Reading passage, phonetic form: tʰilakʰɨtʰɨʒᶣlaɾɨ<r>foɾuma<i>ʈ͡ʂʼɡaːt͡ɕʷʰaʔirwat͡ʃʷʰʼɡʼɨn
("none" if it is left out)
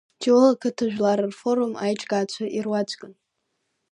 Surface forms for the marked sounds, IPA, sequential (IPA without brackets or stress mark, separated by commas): r, j